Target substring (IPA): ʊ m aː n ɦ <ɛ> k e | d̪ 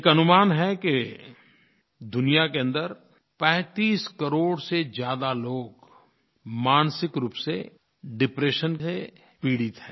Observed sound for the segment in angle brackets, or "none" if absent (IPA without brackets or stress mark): ɛ